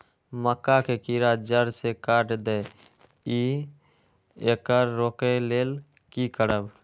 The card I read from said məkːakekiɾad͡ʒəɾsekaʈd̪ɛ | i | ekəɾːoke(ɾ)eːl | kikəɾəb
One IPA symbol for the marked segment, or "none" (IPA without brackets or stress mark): l